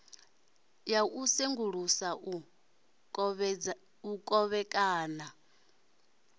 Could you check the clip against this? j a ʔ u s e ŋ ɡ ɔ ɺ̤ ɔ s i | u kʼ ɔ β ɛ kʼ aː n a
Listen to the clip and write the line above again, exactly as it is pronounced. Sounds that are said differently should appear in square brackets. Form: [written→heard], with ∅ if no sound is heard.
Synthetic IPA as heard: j a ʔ u s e ŋ ɡ [ɔ→u] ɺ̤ [ɔ→u] s [i→a] | u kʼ ɔ β ɛ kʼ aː n a